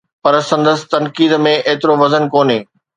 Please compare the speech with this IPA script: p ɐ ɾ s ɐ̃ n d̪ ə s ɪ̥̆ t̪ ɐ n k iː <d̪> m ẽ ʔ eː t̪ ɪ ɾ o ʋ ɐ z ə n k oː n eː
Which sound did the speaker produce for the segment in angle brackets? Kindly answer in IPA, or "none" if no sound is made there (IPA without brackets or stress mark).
d̪